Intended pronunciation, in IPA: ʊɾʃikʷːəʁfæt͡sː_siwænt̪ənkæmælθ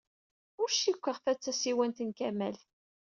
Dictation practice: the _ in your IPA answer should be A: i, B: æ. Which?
B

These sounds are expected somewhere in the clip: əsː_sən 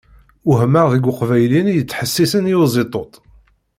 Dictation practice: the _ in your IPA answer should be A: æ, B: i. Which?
B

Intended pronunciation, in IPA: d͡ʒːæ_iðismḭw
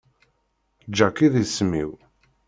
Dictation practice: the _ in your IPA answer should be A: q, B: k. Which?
B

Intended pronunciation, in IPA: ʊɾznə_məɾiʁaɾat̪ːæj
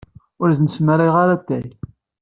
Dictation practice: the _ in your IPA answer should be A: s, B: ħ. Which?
A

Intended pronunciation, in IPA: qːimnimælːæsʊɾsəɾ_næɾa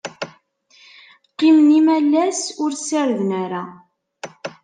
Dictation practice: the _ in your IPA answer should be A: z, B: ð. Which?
B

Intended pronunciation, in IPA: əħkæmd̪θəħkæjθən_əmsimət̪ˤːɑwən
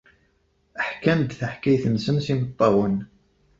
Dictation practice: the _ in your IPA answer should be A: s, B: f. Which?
A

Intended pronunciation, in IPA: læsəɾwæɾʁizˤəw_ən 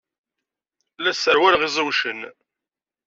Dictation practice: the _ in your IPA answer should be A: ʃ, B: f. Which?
A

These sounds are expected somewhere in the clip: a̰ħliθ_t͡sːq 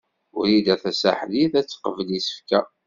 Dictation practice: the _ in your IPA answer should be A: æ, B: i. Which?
A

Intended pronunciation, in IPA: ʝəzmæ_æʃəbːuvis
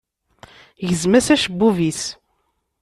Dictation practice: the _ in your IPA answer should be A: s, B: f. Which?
A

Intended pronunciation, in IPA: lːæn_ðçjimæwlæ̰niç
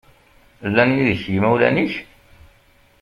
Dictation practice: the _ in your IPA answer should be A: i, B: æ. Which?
A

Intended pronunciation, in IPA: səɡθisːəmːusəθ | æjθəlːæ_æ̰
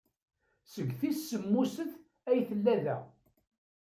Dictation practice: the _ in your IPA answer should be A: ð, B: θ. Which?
A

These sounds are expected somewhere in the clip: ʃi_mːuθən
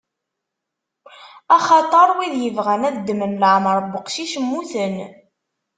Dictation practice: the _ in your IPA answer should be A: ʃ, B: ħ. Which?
A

